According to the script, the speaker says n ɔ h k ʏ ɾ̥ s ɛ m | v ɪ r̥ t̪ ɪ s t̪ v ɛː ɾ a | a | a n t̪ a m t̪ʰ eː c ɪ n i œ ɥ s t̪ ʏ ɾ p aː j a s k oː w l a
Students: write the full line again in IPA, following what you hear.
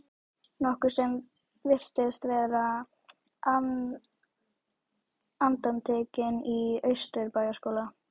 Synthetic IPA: n ɔ h k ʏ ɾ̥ s ɛ m | v ɪ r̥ t̪ ɪ s t̪ v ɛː ɾ a | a | a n t̪ a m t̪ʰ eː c ɪ n i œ ɥ s t̪ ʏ ɾ p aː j a s k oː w l a